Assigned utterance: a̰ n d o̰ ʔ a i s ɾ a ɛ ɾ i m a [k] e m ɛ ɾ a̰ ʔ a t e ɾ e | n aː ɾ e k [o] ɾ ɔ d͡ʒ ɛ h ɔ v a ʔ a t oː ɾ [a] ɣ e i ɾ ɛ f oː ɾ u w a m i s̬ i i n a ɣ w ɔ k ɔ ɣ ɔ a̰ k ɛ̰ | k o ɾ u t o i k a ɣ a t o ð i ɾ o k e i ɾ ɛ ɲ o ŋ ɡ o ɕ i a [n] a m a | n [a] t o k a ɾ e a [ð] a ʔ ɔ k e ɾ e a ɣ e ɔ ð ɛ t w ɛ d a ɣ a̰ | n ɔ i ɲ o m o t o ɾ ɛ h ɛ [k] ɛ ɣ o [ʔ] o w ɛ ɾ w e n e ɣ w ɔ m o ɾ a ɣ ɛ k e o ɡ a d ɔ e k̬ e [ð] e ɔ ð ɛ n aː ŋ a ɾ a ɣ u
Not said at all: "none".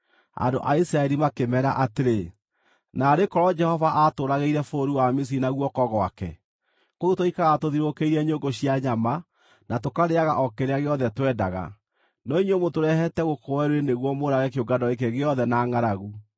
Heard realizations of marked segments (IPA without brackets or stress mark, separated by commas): k, ɔ, a, ɲ, a, ɣ, t, k, ɣ